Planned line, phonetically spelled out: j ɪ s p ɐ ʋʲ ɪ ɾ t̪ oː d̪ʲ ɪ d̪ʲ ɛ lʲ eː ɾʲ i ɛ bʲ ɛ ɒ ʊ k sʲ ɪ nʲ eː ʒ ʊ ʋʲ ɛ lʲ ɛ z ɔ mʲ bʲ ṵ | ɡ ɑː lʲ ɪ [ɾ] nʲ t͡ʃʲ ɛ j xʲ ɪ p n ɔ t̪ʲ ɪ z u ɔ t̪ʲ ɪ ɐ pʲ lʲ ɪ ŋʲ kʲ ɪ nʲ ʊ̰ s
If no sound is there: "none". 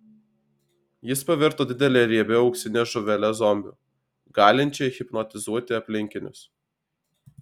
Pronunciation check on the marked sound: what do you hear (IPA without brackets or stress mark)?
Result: none